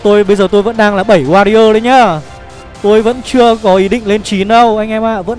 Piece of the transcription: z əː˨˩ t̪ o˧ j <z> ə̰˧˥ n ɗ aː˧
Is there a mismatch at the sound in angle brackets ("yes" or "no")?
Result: yes